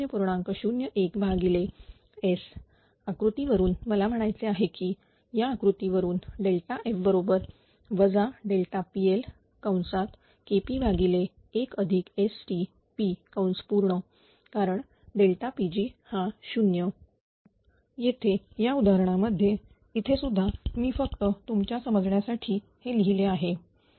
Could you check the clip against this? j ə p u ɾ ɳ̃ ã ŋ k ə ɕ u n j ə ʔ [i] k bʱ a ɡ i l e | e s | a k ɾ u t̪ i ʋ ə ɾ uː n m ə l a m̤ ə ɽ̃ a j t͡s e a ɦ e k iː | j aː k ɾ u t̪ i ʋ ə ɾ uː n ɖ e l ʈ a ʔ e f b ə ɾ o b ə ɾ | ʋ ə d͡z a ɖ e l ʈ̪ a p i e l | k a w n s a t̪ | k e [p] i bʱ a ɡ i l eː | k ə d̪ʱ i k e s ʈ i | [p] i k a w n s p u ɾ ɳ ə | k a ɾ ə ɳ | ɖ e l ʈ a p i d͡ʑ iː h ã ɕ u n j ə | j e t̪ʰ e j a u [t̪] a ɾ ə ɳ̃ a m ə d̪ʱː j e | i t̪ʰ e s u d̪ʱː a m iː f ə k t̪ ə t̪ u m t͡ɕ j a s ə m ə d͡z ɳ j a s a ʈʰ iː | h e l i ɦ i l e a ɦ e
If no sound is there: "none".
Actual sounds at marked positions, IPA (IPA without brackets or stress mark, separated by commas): e, p, p, d̪